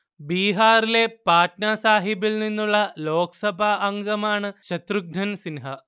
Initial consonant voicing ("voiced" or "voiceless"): voiced